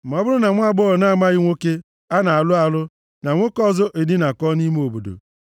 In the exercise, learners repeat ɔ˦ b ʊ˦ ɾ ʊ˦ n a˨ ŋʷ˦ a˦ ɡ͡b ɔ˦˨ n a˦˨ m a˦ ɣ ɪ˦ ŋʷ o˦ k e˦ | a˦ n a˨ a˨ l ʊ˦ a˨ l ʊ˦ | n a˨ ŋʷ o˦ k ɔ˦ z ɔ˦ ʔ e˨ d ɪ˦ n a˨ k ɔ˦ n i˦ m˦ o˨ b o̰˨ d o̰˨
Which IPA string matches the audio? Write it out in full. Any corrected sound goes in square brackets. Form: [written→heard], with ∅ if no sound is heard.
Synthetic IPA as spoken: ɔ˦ b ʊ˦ ɾ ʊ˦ n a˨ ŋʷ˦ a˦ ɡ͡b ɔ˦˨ n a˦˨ m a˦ ɣ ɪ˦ ŋʷ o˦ k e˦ | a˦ n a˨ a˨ l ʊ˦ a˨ l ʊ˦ | n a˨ ŋʷ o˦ k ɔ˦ z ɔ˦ ʔ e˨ d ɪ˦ n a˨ k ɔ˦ n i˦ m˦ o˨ b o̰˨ d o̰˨

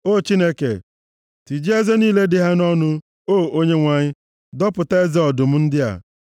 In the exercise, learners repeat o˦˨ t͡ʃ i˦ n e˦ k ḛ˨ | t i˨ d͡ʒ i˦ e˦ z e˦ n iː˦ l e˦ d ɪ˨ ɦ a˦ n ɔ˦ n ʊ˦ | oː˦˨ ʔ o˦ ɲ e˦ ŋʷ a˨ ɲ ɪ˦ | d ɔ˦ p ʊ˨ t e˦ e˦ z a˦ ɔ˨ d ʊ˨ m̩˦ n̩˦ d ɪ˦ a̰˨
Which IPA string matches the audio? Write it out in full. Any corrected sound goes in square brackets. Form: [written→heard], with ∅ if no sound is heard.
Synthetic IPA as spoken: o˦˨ t͡ʃ i˦ n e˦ k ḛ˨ | t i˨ d͡ʒ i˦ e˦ z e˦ n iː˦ l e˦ d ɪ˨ ɦ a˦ n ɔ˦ n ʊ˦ | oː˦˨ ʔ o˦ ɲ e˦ ŋʷ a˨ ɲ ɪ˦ | d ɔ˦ p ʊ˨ t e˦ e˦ z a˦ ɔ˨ d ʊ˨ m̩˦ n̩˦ d ɪ˦ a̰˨

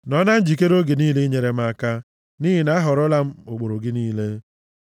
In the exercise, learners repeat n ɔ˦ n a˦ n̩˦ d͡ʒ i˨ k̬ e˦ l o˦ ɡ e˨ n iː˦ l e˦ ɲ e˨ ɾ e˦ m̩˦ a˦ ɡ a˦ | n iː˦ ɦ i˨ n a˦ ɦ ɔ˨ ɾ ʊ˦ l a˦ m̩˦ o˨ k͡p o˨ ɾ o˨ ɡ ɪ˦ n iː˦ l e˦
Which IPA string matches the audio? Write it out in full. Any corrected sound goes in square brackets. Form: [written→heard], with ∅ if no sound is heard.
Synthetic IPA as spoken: n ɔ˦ n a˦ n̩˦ d͡ʒ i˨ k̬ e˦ [l→ɾ] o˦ ɡ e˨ n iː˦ l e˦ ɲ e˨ ɾ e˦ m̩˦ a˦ [ɡ→k] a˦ | n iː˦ ɦ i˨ n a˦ ɦ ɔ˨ ɾ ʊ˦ l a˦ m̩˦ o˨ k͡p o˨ ɾ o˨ ɡ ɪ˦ n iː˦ l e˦

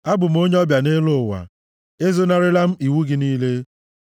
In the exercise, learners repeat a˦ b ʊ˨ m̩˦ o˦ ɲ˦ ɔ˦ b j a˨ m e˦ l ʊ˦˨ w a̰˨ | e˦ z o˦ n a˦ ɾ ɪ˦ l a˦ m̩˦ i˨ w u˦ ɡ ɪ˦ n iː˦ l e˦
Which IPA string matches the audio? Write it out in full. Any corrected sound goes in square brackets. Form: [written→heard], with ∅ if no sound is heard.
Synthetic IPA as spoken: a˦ b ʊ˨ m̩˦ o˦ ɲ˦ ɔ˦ b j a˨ [m→n] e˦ l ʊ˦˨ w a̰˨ | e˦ z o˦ n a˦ ɾ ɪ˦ l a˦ m̩˦ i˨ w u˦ ɡ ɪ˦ n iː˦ l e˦

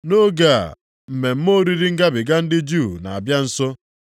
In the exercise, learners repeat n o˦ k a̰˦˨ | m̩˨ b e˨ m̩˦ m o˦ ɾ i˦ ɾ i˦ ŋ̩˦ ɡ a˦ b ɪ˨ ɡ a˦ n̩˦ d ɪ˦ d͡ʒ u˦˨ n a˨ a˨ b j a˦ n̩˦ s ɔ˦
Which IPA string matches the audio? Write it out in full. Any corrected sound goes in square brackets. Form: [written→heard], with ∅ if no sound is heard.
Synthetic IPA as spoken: n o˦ [k→ɡ] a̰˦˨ | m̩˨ [b→m] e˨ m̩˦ m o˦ ɾ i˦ ɾ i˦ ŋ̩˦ ɡ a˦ b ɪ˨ ɡ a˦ n̩˦ d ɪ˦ d͡ʒ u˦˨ n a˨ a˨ b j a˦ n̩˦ s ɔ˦

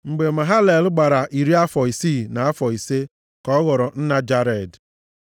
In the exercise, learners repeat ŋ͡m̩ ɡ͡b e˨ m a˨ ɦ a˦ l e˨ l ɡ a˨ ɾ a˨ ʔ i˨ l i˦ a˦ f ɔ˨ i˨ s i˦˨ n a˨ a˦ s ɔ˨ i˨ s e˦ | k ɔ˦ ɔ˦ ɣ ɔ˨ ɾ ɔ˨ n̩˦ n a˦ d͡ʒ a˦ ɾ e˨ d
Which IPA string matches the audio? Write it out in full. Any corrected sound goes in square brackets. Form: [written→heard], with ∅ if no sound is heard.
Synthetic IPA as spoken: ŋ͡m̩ ɡ͡b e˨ m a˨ ɦ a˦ l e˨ l [ɡ→ɡ͡b] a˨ ɾ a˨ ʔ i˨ [l→ɾ] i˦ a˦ f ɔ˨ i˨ s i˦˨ n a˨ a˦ [s→f] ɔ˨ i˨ s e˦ | k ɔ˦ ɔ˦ ɣ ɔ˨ ɾ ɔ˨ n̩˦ n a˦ d͡ʒ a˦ ɾ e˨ d

